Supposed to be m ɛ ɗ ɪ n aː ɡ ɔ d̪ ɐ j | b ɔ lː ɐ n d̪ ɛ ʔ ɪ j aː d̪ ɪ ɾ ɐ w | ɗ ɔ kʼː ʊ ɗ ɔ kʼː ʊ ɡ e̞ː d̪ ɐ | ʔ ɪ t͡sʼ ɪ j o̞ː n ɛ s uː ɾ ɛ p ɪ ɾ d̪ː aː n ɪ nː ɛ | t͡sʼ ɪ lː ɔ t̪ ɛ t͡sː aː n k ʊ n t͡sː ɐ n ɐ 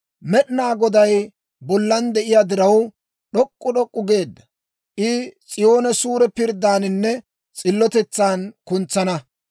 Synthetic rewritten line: m ɛ ɗ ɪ n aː ɡ ɔ d̪ ɐ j | b ɔ lː ɐ n d̪ ɛ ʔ ɪ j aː d̪ ɪ ɾ ɐ w | ɗ ɔ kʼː ʊ ɗ ɔ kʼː ʊ ɡ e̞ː d̪ː ɐ | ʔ ɪ t͡sʼ ɪ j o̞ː n ɛ s uː ɾ ɛ p ɪ ɾ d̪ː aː n ɪ nː ɛ | t͡sʼ ɪ lː ɔ t̪ ɛ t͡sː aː n k ʊ n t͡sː ɐ n ɐ